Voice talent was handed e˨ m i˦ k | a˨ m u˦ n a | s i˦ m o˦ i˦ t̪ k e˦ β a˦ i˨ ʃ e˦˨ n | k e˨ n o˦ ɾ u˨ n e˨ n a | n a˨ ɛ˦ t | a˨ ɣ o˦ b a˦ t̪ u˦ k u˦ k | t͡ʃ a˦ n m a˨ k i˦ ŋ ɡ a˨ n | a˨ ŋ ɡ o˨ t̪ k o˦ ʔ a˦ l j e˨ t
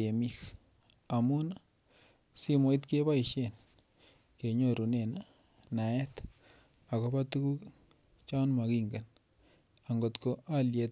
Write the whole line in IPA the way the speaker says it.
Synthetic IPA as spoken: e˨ m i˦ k | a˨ m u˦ n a | s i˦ m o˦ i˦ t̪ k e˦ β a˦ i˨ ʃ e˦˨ n | k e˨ ɲ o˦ ɾ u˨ n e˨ n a | n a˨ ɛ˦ t | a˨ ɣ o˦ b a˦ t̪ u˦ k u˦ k | t͡ʃ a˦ n m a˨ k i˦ ŋ ɡ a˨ n | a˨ ŋ ɡ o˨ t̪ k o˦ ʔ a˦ l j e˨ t